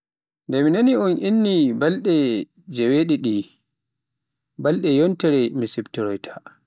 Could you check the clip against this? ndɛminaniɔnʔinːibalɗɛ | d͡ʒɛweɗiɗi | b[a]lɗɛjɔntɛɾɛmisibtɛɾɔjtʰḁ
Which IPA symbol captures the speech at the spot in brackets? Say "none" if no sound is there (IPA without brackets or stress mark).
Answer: a